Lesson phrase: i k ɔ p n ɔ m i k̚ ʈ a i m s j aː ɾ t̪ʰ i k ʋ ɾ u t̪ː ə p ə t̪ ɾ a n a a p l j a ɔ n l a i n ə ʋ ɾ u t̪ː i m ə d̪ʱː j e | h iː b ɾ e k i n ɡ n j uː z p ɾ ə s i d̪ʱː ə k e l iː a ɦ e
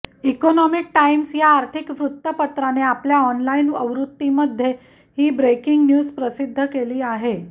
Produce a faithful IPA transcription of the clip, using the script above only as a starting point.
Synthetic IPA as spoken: i k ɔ n ɔ m i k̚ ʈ a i m s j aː ɾ t̪ʰ i k ʋ ɾ u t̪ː ə p ə t̪ ɾ a n e a p l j a ɔ n l a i n ə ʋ ɾ u t̪ː i m ə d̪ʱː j e | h iː b ɾ e k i ŋ ɡ n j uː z p ɾ ə s i d̪ʱː ə k e l iː a ɦ e